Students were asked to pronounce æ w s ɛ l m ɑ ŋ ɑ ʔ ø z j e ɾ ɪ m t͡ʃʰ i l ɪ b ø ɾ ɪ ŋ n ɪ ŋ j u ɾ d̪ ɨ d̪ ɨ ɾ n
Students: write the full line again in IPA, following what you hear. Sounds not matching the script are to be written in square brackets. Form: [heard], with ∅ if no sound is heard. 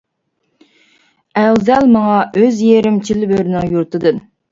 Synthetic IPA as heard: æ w [z] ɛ l m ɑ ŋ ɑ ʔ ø z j e ɾ ɪ m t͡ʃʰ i l ɪ b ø ɾ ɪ [∅] n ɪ ŋ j u ɾ [t̪] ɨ d̪ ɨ [∅] n